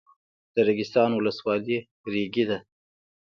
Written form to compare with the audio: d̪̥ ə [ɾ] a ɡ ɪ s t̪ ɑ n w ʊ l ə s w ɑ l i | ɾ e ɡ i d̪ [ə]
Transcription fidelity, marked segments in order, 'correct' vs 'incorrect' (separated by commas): correct, incorrect